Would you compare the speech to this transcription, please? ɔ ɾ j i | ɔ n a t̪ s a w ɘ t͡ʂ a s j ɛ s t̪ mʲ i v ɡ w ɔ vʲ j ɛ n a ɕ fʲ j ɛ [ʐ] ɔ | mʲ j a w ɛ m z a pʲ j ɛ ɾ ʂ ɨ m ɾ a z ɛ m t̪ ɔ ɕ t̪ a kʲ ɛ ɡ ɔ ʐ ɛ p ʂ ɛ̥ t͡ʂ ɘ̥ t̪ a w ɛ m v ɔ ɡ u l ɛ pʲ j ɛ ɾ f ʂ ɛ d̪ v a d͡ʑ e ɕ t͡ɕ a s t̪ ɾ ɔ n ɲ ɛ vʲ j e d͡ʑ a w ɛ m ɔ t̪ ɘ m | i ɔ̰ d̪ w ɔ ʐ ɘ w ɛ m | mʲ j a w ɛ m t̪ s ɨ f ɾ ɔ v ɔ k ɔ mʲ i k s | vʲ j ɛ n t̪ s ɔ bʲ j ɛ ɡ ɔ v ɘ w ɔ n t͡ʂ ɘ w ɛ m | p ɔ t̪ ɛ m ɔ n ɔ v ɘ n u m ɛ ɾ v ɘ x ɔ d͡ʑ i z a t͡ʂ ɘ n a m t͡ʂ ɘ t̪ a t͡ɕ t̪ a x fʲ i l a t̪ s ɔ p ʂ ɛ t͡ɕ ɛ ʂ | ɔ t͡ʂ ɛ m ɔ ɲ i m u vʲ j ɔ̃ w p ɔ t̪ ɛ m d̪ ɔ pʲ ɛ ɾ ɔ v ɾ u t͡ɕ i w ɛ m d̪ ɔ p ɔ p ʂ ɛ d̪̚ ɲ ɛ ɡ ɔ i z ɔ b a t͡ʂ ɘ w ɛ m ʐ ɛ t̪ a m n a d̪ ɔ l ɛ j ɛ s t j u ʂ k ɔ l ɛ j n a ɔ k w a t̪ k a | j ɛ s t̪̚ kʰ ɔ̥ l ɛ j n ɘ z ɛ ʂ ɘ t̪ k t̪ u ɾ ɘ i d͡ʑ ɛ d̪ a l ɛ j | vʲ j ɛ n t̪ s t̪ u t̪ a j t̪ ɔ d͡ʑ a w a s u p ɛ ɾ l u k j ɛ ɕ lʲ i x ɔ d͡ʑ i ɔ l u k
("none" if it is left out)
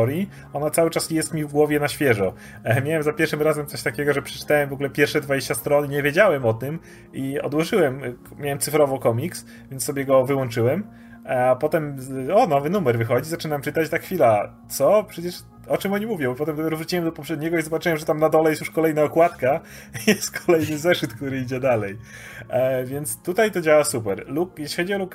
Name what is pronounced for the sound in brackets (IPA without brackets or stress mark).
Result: ʐ